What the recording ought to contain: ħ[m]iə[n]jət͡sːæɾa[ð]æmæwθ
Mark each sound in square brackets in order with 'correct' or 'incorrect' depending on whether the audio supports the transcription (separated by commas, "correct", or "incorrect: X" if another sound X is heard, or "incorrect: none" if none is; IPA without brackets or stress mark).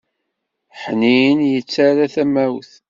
incorrect: n, correct, incorrect: θ